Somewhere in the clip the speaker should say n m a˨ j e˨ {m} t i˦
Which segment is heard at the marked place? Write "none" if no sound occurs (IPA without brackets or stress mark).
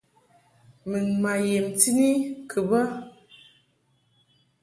m